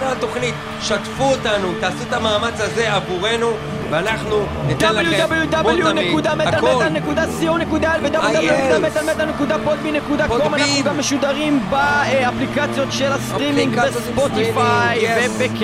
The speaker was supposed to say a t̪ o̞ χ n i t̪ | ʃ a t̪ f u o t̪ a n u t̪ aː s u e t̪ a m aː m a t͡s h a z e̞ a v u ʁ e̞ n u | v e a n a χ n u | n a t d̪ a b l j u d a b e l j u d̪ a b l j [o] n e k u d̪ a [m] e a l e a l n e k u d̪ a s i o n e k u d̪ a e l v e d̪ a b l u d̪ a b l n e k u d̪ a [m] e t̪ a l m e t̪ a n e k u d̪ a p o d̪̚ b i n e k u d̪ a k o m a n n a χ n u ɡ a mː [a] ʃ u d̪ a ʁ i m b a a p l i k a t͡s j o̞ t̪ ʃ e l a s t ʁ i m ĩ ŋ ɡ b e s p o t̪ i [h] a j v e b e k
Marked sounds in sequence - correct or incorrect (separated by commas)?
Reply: incorrect, correct, correct, incorrect, incorrect